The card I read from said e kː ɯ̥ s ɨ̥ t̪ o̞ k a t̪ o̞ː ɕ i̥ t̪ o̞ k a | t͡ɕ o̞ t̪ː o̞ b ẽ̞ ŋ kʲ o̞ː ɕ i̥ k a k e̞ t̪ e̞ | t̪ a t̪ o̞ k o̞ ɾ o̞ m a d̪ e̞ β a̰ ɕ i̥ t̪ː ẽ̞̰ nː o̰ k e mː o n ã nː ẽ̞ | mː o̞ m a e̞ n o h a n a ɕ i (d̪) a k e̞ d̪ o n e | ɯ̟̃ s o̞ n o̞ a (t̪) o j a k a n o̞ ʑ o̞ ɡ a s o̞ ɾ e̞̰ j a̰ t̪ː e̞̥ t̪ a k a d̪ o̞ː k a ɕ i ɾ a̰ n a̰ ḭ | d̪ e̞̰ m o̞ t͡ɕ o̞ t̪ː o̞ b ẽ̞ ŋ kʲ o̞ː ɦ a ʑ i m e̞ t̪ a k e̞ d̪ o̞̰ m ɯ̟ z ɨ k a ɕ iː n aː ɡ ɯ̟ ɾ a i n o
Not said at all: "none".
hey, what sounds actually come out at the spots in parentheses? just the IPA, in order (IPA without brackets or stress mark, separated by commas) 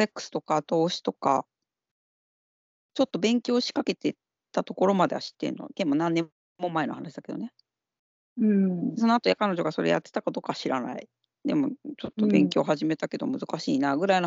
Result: d̪, t̪